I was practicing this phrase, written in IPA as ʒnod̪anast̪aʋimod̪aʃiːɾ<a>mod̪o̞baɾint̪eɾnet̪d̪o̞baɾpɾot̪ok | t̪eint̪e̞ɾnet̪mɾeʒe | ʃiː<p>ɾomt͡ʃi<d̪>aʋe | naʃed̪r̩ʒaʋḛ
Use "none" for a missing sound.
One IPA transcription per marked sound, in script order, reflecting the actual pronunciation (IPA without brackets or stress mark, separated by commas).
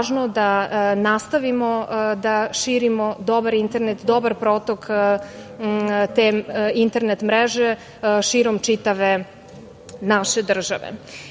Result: i, none, t̪